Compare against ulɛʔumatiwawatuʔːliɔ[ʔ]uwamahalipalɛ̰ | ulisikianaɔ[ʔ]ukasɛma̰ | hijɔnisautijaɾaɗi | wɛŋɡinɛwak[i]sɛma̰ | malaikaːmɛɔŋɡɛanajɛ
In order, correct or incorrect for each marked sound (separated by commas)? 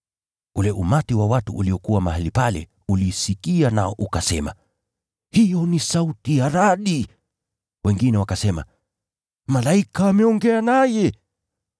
incorrect, correct, incorrect